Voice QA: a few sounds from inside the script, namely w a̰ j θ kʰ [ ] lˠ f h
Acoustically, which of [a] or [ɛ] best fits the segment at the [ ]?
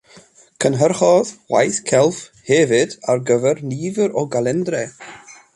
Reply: ɛ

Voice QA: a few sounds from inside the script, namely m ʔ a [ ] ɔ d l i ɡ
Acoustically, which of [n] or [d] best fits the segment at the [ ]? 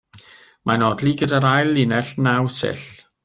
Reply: n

